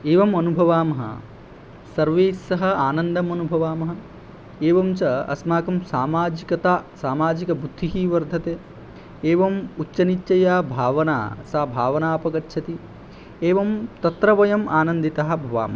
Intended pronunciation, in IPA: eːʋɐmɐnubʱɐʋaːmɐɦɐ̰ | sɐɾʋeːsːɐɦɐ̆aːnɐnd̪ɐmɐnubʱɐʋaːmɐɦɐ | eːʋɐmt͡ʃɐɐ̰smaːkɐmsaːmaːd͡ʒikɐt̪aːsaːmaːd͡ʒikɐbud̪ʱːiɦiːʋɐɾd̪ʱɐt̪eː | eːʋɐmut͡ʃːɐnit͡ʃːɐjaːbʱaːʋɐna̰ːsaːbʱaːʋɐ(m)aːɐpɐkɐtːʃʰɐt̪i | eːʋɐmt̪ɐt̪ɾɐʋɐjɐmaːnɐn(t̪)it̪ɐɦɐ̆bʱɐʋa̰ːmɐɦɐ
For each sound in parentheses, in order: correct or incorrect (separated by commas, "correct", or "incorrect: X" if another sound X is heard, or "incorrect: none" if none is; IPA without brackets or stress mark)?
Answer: incorrect: n, incorrect: d̪